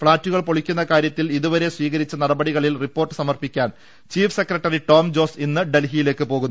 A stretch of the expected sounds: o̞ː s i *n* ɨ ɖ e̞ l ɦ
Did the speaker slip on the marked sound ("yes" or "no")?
yes